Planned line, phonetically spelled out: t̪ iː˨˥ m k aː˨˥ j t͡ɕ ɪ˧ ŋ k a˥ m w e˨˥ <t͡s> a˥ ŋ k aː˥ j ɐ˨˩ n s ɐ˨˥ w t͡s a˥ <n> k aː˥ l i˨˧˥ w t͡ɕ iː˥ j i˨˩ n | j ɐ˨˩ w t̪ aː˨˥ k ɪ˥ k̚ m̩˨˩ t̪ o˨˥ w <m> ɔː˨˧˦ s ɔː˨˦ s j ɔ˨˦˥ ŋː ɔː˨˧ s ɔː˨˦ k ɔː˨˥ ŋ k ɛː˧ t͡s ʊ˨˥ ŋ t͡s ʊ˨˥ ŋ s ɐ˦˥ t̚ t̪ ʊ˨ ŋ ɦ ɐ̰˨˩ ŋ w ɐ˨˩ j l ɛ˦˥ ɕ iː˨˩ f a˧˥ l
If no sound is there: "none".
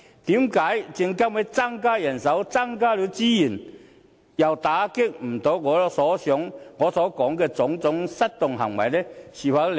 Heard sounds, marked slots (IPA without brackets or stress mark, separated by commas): t͡s, ŋ, ŋ